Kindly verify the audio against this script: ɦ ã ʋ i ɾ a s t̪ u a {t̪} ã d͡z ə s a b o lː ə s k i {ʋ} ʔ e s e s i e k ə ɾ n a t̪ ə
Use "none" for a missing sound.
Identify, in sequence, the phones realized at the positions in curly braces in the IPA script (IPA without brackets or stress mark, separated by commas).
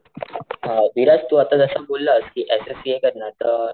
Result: t̪, none